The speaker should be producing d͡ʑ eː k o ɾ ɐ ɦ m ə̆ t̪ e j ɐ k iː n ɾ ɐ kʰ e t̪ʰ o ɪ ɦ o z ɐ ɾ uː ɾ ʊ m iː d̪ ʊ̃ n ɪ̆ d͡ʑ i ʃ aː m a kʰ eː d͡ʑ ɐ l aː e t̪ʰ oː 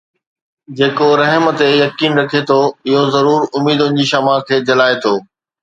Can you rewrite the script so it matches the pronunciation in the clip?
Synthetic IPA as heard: d͡ʑ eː k o ɾ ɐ ɦ m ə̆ t̪ e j ɐ k iː n ɾ ɐ kʰ e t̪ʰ o ɪ ɦ o z ɐ ɾ uː ɾ ʊ m iː d̪ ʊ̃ n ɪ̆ d͡ʑ i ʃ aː m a kʰ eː d͡ʑ ɐ l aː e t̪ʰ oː